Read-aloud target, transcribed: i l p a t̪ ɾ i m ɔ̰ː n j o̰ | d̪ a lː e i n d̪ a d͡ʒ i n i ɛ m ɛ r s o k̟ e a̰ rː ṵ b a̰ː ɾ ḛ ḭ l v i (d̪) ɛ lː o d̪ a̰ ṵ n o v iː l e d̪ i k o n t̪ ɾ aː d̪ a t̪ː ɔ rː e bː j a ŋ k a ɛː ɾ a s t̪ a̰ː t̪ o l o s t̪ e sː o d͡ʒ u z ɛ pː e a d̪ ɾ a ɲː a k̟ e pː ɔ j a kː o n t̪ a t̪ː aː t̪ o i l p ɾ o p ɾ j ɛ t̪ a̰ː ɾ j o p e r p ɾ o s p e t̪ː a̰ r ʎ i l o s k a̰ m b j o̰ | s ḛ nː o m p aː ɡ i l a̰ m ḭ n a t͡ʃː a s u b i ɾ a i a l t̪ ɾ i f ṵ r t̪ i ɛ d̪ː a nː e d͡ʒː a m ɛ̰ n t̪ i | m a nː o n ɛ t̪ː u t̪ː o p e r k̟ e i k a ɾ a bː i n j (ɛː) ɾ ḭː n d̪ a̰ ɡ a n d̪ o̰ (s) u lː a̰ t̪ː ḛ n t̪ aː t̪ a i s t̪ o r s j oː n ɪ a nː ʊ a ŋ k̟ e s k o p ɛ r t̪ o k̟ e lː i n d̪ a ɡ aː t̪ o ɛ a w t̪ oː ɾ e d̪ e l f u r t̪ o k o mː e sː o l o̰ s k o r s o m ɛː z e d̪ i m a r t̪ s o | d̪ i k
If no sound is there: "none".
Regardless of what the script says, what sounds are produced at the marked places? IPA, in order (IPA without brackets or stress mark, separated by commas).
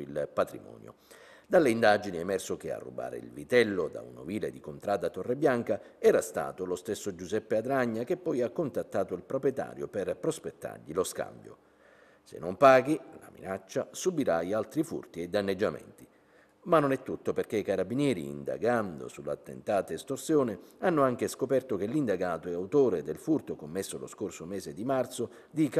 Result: t̪, ɛː, s